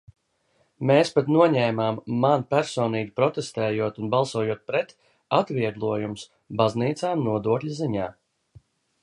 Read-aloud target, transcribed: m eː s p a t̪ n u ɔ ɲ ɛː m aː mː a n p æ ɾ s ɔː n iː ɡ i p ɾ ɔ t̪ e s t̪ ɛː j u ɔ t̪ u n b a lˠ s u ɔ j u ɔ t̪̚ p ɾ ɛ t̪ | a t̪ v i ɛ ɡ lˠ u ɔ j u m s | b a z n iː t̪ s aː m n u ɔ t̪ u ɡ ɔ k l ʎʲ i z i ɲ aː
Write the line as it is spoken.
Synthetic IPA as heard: m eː s p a t̪ n u ɔ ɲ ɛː m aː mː a n p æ ɾ s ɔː n iː ɡ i p ɾ ɔ t̪ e s t̪ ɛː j u ɔ t̪ u n b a lˠ s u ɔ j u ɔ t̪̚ p ɾ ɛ t̪ | a t̪ v i ɛ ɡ lˠ u ɔ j u m s | b a z n iː t̪ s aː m n u ɔ d̪ u ɔ k l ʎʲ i z i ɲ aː